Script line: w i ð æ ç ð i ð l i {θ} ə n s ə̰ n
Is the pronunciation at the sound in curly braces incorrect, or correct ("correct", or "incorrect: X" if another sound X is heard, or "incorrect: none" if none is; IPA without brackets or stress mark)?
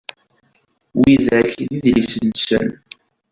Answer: incorrect: s